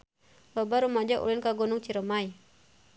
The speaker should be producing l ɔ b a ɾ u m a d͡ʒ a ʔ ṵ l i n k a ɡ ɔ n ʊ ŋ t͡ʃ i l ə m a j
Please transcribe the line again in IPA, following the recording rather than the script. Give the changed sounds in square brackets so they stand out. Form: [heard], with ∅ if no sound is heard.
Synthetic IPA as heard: l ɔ b a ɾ u m a d͡ʒ a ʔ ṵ l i n k a ɡ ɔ n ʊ ŋ t͡ʃ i [ɾ] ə m a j